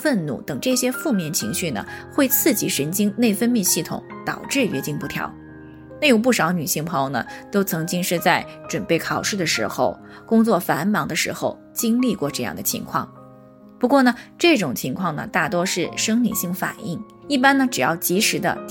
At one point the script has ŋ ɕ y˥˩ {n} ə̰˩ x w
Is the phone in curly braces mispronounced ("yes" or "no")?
no